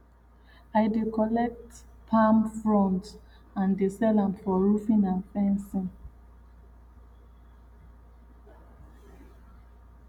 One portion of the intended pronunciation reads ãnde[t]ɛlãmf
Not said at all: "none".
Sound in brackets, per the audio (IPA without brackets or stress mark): s